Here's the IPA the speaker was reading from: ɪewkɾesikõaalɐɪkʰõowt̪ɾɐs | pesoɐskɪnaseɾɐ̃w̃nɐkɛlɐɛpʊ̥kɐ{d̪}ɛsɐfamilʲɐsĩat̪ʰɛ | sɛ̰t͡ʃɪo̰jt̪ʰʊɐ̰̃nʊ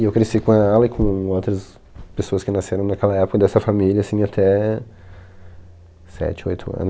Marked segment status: correct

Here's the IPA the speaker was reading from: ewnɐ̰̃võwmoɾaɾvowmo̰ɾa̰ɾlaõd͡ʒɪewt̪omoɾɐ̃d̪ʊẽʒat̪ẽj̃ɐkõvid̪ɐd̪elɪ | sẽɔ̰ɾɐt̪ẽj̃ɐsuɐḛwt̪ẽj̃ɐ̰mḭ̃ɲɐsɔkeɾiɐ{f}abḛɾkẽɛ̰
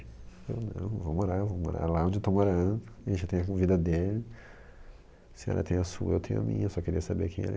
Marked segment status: incorrect: s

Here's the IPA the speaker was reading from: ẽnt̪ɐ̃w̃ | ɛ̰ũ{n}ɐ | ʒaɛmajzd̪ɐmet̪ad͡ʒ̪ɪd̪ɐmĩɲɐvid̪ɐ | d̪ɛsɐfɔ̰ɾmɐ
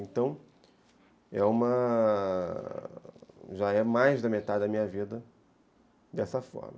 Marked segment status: incorrect: m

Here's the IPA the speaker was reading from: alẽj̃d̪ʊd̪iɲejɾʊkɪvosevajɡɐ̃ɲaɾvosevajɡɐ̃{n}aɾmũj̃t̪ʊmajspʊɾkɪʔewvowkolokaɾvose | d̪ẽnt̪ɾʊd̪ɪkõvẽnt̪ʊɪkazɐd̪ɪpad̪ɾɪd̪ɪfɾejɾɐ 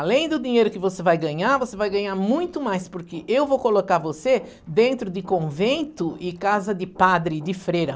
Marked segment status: incorrect: ɲ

